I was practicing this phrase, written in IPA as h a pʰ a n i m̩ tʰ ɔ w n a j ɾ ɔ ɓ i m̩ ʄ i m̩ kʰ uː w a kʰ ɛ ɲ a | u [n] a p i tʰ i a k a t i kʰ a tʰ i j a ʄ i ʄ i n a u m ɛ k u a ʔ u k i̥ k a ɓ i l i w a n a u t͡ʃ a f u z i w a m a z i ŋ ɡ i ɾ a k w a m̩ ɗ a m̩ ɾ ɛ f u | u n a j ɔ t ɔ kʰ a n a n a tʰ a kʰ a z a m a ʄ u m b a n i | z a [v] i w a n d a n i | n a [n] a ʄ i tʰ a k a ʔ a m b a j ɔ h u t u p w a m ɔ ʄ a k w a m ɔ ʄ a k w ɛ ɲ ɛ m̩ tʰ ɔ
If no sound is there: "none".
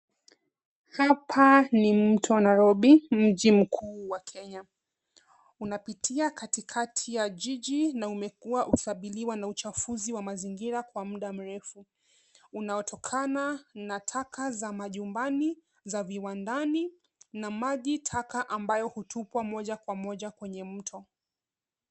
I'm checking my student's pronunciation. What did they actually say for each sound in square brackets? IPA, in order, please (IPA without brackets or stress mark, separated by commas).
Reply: n, v, m